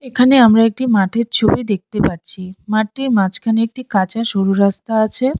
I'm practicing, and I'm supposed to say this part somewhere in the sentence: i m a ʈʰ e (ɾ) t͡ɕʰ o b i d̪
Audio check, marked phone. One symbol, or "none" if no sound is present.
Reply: ɾ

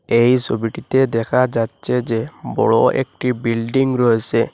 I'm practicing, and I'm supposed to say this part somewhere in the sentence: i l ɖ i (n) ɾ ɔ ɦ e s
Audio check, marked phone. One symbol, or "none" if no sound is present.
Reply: ŋ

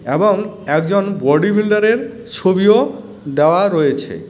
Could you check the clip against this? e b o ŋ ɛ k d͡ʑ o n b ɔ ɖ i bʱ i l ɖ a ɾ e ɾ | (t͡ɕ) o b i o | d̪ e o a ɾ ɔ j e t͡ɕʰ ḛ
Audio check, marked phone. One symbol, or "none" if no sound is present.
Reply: t͡ɕʰ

